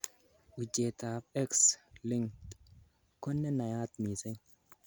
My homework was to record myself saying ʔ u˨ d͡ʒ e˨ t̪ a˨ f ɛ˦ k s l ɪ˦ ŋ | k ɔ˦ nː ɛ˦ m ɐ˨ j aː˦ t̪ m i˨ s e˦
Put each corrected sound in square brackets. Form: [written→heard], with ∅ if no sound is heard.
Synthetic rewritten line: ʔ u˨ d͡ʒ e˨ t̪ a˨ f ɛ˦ k s l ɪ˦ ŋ | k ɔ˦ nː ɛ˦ [m→n] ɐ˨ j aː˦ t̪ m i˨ s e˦